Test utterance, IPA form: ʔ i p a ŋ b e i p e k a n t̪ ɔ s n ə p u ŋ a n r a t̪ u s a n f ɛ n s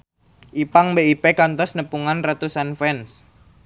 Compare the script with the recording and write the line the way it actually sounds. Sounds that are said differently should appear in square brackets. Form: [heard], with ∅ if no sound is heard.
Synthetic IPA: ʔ i p a ŋ b e i p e k a n t̪ ɔ s n ə p u ŋ a n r a t̪ u s a n f ɛ n s